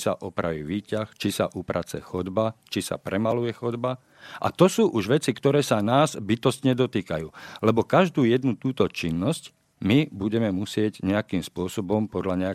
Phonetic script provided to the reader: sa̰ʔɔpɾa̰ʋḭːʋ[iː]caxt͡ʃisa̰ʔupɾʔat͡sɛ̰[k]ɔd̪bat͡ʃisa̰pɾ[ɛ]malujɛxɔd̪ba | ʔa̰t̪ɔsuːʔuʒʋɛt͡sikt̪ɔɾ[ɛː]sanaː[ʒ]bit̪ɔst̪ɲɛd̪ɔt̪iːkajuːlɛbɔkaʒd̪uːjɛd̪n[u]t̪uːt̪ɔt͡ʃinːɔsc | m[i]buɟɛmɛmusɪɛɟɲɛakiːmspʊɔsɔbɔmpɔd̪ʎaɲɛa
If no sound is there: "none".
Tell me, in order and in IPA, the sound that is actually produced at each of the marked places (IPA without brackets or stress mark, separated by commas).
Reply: iː, x, ɛ, ɛː, z, u, i